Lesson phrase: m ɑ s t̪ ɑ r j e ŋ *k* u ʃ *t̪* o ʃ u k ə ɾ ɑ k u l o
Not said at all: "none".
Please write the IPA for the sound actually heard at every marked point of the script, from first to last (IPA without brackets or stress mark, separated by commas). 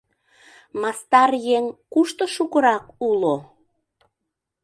k, t̪